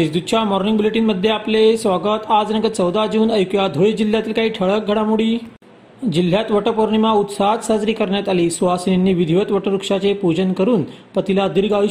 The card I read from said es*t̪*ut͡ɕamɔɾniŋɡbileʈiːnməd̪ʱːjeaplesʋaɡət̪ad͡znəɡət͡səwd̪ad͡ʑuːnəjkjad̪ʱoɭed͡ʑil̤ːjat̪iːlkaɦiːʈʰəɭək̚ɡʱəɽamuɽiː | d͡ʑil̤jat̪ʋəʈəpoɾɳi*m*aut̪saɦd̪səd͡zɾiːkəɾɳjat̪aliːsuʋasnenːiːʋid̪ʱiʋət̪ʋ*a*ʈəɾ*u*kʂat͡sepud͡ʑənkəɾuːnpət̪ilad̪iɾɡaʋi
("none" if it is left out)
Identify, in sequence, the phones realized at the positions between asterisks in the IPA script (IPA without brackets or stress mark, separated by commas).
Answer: d̪, m, ə, u